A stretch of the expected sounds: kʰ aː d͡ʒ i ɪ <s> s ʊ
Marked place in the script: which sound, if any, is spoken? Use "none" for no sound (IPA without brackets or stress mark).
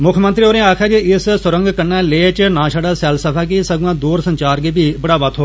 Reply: s